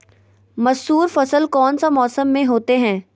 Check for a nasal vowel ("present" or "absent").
present